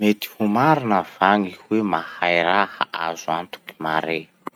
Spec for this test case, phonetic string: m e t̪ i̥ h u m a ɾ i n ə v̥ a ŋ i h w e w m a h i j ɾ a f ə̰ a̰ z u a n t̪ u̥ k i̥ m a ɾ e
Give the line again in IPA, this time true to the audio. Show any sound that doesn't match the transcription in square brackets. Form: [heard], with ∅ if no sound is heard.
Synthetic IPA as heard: m e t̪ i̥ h u m a ɾ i n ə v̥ a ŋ i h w e [∅] m a h [a] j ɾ a [h] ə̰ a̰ z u a n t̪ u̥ k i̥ m a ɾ e